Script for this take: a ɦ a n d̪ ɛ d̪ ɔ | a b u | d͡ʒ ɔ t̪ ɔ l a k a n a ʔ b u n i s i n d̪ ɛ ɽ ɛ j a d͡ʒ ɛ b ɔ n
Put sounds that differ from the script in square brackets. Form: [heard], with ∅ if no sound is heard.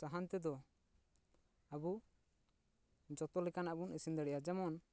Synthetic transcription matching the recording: a ɦ a n [t̪] ɛ d̪ ɔ | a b u | d͡ʒ ɔ t̪ ɔ l [ɛ] k a n a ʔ b u n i s i n d̪ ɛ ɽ ɛ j a d͡ʒ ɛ [m] ɔ n